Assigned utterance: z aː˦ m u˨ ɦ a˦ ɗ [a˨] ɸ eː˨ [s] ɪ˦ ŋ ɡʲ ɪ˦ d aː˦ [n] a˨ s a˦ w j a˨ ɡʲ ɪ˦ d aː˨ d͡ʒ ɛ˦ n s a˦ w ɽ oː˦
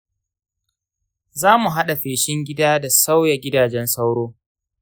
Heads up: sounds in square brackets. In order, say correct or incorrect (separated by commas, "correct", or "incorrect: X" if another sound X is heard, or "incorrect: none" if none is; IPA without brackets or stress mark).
correct, incorrect: ʃ, incorrect: d